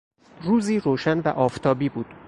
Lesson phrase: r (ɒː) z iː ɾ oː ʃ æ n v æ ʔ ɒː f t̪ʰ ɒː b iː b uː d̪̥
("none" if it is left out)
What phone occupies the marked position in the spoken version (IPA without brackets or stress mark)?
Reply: uː